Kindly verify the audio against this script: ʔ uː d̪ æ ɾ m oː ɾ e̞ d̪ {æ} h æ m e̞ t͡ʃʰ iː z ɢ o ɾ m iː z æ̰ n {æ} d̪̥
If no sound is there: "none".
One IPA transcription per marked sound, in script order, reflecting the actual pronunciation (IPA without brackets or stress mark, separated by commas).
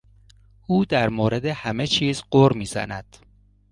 e, æ